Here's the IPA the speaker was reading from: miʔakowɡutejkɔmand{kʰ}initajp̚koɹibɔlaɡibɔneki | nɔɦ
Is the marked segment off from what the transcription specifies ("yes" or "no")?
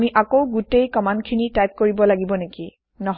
no